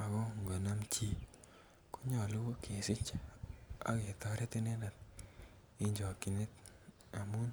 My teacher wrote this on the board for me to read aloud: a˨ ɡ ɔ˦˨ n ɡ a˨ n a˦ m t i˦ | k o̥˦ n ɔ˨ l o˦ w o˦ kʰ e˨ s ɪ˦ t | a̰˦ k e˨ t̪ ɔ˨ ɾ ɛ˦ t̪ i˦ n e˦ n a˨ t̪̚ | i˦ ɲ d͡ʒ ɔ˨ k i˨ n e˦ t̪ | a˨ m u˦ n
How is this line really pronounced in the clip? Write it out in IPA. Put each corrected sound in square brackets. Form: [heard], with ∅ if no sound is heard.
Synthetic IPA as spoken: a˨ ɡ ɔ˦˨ [ŋ] ɡ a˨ n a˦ m [t͡ʃ] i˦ | k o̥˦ [ɲ] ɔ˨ l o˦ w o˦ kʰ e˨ s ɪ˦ [t͡ʃ] | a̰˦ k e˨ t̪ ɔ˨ ɾ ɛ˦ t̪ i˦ n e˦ n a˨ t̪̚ | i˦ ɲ d͡ʒ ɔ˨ k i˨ n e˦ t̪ | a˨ m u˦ n

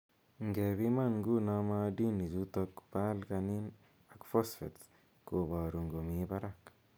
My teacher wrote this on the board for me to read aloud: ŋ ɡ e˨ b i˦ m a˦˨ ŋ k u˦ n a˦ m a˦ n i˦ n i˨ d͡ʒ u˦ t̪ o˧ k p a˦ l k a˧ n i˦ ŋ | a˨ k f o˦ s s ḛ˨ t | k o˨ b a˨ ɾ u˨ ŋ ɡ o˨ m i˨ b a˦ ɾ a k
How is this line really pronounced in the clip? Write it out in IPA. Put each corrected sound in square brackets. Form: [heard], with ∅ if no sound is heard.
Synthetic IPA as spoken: ŋ ɡ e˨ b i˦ m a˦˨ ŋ [ɡ] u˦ n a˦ m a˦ [d] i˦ n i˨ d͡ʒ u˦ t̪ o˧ k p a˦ l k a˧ n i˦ [n] | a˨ k f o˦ s [f] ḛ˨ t | k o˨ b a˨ ɾ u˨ ŋ ɡ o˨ m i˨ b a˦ ɾ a k

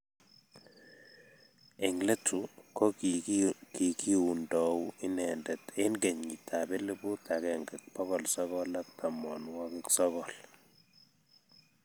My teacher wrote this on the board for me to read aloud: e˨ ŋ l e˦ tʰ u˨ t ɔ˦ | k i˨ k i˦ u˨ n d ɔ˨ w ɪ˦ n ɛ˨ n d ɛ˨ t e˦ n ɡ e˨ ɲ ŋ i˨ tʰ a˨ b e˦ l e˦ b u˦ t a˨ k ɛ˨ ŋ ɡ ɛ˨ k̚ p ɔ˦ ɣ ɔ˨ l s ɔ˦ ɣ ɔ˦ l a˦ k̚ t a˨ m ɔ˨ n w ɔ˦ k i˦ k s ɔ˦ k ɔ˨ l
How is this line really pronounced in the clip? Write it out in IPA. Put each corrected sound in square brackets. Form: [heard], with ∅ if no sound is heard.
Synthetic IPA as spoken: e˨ ŋ l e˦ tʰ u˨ [k] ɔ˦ | k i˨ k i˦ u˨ n d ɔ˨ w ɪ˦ n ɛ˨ n d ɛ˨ t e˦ n ɡ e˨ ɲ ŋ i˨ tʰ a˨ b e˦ l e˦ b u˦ t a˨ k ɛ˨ ŋ ɡ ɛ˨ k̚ p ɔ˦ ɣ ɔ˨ l s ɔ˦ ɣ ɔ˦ l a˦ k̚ t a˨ m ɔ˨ n w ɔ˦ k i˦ k s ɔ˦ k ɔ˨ l

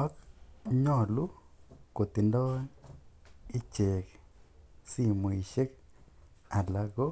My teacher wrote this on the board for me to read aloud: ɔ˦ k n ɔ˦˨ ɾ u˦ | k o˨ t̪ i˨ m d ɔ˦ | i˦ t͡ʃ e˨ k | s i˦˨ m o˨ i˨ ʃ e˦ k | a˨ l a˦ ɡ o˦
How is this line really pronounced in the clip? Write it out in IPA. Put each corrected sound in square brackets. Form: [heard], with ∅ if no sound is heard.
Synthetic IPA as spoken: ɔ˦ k [ɲ] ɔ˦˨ [l] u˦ | k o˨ t̪ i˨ [n] d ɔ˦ | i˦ t͡ʃ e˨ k | s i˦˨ m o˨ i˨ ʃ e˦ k | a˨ l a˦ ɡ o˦

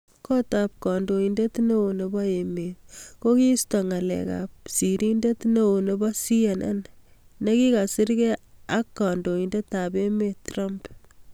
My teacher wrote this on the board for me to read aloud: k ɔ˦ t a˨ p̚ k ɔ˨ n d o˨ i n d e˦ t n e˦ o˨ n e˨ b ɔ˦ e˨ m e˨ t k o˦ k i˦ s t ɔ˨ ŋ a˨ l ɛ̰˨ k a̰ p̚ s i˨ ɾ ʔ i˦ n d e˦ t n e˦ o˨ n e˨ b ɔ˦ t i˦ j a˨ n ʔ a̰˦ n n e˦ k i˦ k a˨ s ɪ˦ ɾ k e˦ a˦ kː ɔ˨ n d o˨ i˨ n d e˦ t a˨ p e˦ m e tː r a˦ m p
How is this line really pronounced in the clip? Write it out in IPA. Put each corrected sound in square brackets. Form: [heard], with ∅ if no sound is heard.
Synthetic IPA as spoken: k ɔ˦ t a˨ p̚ k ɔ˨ n d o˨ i n d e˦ t n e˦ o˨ n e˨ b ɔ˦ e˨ m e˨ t k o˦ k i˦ s t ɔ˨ ŋ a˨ l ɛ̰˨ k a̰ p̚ s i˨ ɾ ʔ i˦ n d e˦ t n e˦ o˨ n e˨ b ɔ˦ [s] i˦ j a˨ n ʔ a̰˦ n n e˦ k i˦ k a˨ s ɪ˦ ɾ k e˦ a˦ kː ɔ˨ n d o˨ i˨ n d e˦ t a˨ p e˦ m e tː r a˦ m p

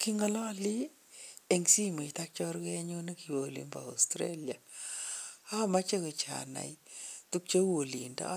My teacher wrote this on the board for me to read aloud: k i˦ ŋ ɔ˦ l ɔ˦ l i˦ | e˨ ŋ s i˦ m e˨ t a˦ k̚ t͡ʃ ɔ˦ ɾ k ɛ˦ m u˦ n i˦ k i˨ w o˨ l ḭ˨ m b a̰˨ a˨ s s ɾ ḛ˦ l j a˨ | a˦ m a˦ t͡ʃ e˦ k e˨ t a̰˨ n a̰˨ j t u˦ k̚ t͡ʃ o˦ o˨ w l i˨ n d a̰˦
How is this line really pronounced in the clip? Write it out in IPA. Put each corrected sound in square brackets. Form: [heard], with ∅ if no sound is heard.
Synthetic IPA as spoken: k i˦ ŋ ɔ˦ l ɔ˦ l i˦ | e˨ ŋ s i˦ m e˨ t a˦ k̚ t͡ʃ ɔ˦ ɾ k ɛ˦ [ɲ] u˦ n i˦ k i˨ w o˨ l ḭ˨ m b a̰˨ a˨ s [t] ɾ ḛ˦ l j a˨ | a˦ m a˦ t͡ʃ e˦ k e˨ [t͡ʃ] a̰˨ n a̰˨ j t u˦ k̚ t͡ʃ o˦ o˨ [∅] l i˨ n d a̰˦

